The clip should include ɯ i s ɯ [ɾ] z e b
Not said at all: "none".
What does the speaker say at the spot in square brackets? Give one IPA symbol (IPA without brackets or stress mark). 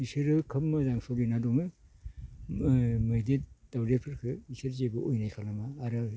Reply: ɾ